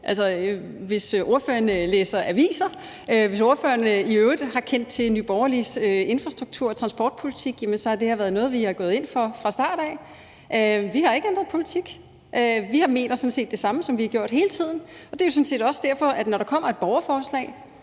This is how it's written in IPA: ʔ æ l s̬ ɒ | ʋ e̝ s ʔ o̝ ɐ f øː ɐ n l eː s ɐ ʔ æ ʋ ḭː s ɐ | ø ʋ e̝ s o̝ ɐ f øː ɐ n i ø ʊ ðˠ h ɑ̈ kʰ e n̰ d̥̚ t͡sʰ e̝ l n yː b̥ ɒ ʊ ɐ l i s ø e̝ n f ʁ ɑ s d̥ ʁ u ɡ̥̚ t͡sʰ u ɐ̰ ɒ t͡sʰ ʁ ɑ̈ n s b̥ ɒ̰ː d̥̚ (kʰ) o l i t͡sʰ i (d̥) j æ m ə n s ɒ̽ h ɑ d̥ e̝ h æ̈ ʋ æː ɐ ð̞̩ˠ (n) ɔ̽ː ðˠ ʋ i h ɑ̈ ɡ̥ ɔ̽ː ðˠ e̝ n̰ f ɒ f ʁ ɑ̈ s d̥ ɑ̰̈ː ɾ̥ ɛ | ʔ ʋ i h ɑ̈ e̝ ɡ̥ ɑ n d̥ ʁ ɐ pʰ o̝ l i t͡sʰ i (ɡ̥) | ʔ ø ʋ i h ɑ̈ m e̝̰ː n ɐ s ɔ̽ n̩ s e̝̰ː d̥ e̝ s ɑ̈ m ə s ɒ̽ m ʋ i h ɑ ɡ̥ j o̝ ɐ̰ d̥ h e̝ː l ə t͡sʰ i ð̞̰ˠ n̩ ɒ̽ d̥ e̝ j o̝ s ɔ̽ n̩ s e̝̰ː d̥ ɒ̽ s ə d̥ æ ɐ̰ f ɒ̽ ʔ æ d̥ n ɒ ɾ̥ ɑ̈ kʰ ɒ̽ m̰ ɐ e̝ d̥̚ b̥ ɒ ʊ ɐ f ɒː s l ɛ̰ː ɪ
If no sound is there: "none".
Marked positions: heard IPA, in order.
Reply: pʰ, ɡ̥, n, ɡ̥

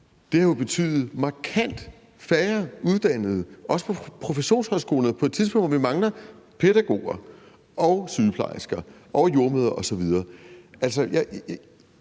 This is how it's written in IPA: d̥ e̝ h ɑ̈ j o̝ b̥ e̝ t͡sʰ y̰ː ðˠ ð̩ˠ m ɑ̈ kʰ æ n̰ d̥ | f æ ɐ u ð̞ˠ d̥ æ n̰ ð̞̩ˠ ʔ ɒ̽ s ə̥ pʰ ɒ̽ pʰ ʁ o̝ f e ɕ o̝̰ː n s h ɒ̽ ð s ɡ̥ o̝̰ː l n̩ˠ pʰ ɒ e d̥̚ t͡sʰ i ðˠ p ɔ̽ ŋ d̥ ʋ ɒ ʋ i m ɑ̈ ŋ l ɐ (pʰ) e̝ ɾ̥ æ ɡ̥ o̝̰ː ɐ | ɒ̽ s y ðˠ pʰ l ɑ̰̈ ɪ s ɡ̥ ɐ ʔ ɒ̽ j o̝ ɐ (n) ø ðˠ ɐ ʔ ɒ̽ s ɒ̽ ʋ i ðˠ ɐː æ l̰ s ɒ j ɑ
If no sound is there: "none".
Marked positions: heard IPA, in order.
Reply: pʰ, m

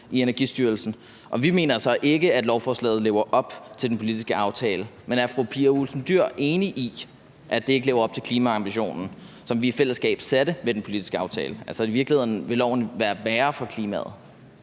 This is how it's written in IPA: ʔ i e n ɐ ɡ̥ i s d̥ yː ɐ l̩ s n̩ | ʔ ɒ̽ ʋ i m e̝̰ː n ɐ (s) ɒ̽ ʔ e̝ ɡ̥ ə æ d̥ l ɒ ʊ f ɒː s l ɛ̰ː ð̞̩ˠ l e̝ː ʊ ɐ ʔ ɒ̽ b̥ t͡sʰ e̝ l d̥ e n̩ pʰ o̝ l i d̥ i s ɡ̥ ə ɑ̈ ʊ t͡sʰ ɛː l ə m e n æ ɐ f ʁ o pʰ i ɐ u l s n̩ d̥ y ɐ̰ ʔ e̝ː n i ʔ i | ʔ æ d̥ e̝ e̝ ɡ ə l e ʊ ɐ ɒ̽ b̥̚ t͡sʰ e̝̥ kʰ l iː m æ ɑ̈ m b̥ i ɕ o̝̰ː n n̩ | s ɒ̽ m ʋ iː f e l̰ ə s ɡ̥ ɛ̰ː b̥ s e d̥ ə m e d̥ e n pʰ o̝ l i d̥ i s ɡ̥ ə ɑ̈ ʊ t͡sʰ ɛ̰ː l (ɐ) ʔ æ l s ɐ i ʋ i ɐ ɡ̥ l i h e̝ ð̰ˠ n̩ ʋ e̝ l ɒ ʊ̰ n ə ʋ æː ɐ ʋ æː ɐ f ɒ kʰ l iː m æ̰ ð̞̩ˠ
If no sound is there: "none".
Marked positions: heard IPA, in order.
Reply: s, ə

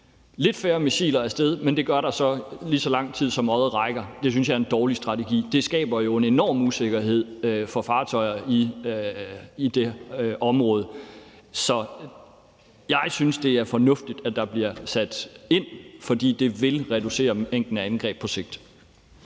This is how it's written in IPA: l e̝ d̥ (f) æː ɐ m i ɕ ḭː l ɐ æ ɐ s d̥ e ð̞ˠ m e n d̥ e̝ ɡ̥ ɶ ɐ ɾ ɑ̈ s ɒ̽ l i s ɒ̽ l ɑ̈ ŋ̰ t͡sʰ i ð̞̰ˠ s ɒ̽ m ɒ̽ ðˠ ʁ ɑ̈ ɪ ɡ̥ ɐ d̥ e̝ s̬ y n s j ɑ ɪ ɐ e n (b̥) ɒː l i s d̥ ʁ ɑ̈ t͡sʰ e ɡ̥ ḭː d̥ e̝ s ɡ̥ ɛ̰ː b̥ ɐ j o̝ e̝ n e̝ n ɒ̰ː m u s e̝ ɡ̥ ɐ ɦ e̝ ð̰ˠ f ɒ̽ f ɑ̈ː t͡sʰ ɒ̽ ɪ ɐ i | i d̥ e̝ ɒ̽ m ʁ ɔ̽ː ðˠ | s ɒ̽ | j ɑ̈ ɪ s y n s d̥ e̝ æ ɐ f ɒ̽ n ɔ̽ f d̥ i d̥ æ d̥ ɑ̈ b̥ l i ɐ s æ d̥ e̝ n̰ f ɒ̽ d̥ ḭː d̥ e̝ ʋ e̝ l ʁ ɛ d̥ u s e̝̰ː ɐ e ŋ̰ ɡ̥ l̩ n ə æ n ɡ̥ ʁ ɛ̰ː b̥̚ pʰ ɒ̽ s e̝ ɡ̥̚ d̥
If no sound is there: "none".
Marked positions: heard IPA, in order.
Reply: f, d̥

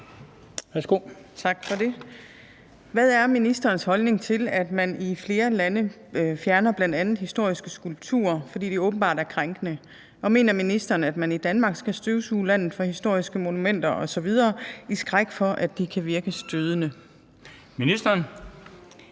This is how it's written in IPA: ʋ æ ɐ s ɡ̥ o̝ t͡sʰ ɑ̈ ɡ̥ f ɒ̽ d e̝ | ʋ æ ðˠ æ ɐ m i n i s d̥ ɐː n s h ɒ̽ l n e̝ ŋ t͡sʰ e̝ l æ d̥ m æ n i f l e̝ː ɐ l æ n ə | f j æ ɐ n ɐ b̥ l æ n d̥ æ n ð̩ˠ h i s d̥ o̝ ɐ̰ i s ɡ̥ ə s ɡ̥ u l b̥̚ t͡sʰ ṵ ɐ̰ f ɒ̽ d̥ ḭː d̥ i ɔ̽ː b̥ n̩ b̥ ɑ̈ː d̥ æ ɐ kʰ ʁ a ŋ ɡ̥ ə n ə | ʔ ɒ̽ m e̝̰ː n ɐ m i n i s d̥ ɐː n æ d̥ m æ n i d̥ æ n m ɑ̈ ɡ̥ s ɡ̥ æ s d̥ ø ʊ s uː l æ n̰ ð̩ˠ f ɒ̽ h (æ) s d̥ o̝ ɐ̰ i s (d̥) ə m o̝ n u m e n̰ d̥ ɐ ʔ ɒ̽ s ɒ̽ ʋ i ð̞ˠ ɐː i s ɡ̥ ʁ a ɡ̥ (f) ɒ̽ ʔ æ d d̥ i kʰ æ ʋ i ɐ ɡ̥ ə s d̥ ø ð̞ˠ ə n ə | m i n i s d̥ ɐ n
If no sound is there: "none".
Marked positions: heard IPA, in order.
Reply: i, ɡ̥, f

